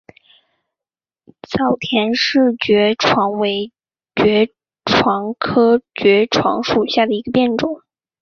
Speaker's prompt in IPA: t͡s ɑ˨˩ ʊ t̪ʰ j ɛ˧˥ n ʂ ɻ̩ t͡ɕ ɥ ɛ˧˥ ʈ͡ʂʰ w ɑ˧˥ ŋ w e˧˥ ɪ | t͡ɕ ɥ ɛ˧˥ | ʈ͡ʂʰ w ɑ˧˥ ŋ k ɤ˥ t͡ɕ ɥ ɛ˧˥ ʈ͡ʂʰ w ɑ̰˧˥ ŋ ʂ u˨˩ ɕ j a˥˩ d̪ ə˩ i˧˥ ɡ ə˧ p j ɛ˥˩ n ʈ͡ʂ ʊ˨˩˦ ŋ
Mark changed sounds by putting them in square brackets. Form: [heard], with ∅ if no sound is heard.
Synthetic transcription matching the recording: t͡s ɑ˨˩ ʊ t̪ʰ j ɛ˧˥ n ʂ ɻ̩ t͡ɕ ɥ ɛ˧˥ ʈ͡ʂʰ w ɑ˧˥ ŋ w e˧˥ ɪ | t͡ɕ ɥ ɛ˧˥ | ʈ͡ʂʰ w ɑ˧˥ ŋ [kʰ] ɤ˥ t͡ɕ ɥ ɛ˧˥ ʈ͡ʂʰ w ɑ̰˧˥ ŋ ʂ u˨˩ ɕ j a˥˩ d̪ ə˩ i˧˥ ɡ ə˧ p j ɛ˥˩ n ʈ͡ʂ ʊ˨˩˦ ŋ